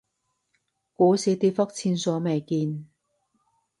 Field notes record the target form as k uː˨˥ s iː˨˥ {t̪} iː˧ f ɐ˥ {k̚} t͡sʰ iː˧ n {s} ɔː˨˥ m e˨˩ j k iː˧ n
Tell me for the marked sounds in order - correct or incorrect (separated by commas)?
correct, correct, correct